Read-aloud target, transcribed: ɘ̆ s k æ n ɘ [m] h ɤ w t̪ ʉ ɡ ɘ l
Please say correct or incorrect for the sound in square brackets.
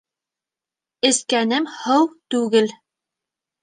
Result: correct